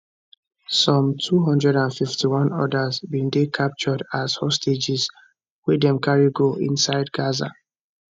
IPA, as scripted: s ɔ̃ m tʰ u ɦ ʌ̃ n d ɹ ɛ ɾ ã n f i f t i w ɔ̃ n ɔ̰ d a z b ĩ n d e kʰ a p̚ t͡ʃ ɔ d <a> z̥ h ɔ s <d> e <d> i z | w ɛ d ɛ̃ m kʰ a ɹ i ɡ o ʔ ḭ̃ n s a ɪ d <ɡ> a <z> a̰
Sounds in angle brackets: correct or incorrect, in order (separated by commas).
correct, incorrect, incorrect, correct, correct